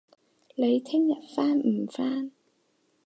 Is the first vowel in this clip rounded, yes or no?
no